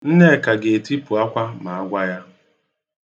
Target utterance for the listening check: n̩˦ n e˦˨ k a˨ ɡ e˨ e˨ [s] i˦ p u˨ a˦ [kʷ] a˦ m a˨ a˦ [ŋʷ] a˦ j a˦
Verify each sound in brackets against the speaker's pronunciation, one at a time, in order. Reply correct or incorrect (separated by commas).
incorrect, correct, incorrect